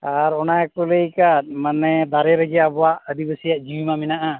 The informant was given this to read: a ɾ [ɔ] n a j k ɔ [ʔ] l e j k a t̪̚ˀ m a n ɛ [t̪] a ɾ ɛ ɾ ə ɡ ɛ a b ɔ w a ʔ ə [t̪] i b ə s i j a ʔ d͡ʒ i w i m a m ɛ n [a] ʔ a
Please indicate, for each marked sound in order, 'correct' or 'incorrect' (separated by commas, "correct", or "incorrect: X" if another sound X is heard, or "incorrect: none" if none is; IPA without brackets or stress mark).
correct, incorrect: none, incorrect: d̪, incorrect: d̪, correct